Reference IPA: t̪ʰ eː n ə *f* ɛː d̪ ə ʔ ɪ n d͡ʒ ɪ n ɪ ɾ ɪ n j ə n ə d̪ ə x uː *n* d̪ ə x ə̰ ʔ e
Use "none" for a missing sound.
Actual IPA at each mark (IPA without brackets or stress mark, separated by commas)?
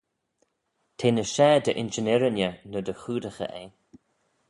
ʃ, none